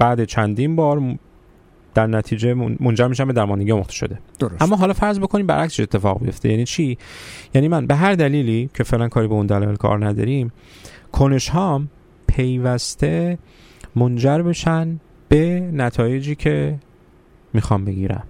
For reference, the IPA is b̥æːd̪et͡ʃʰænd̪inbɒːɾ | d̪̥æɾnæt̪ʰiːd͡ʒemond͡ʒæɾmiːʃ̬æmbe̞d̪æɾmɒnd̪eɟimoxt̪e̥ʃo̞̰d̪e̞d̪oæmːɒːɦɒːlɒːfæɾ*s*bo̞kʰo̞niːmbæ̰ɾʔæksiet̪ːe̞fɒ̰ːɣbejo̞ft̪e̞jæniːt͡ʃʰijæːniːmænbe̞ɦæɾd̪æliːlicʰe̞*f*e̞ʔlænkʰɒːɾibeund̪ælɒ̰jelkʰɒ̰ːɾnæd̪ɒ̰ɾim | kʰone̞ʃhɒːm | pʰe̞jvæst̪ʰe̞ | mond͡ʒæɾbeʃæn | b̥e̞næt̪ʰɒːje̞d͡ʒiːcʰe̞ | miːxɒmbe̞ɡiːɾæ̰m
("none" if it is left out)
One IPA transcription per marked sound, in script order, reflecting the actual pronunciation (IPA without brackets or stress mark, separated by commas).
z, f